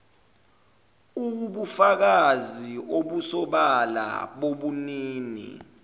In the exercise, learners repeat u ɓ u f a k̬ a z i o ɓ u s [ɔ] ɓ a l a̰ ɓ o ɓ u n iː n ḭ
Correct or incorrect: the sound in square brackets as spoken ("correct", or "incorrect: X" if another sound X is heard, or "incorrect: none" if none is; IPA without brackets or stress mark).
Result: correct